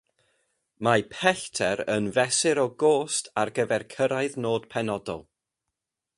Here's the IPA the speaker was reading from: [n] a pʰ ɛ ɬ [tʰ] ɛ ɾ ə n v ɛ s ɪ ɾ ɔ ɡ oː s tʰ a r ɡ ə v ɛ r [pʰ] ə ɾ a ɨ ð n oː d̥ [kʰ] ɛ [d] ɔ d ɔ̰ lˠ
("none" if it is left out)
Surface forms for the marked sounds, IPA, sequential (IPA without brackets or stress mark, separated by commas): m, tʰ, kʰ, pʰ, n